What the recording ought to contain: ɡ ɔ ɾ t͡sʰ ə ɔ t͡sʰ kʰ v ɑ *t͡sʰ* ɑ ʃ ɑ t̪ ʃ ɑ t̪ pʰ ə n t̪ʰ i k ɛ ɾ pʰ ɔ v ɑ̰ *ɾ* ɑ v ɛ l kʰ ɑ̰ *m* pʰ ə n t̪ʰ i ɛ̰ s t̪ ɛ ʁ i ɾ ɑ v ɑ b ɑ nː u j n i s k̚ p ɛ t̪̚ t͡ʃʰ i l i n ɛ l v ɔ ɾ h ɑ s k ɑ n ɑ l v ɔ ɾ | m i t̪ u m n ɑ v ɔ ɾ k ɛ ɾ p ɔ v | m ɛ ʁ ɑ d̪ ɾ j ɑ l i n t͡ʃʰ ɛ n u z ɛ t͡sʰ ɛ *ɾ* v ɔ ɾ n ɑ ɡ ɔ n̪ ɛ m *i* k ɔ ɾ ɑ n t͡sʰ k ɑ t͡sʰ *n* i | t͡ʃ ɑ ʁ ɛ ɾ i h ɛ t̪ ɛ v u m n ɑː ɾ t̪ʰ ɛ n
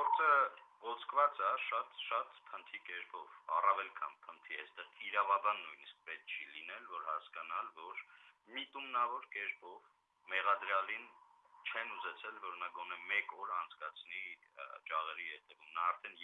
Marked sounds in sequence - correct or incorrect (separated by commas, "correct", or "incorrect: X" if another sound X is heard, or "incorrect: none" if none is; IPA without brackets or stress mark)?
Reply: incorrect: t͡s, incorrect: r, incorrect: n, incorrect: l, incorrect: ɛ, correct